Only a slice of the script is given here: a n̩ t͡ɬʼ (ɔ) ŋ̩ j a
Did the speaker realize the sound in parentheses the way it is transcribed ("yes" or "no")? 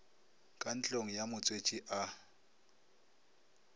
no